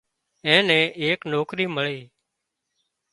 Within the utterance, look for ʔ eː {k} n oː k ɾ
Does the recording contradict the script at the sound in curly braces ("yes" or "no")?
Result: no